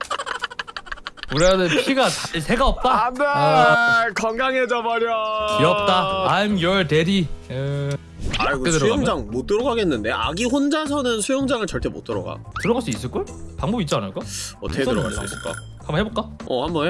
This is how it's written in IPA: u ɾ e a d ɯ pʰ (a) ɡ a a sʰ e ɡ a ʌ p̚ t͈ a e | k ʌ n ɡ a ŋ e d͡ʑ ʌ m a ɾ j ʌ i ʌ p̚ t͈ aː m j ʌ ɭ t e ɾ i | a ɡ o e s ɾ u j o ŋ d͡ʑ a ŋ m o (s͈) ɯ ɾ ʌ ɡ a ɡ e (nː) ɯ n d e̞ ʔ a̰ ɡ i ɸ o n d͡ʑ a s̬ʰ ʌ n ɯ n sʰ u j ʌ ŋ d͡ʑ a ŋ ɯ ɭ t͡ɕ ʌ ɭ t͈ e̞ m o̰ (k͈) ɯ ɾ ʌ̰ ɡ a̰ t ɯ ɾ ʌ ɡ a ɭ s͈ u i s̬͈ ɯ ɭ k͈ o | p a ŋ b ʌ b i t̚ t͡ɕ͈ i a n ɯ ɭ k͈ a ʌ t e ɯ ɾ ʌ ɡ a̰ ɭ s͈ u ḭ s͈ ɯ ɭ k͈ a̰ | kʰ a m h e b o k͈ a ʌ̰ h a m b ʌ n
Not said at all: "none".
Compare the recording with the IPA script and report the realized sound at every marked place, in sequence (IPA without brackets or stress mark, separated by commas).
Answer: i, t͈, nː, t͈